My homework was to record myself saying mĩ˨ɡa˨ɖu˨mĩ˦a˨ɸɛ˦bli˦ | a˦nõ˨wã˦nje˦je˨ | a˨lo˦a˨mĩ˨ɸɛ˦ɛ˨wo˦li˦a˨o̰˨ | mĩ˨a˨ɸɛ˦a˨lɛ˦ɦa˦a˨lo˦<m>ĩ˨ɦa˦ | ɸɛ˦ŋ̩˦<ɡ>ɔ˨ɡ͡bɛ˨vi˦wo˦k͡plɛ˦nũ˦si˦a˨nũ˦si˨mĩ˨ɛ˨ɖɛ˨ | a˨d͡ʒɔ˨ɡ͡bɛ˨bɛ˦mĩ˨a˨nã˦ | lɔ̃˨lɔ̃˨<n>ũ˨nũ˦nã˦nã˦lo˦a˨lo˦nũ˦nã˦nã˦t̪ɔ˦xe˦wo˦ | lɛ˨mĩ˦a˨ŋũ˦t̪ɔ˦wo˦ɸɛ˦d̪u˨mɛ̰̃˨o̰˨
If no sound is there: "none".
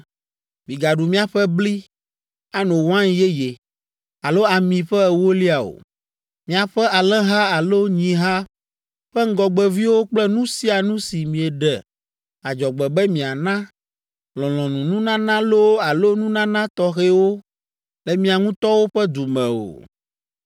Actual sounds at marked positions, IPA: ɲ, ɡ, n

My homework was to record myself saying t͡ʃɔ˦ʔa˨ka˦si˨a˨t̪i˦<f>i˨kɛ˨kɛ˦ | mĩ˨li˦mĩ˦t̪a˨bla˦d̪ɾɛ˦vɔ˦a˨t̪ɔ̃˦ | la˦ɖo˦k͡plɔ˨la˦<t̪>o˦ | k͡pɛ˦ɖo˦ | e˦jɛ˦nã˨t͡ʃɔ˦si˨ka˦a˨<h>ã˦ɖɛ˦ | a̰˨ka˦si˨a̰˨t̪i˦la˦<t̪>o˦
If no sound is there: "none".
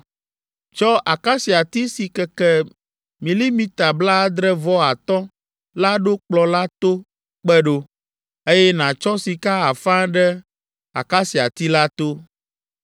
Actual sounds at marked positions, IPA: s, t̪, f, t̪

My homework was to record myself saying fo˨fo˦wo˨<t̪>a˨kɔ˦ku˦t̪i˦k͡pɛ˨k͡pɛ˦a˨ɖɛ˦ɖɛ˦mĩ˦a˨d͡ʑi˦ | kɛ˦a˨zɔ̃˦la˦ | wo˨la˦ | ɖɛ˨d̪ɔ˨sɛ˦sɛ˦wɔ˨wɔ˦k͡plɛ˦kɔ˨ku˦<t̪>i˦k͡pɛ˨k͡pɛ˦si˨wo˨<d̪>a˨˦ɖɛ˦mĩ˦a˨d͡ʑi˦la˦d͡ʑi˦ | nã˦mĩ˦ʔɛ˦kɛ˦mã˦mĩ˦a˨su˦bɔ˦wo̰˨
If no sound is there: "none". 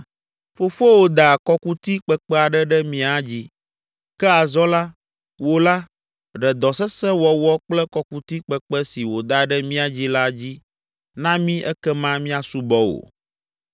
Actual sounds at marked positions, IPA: d̪, t̪, d̪

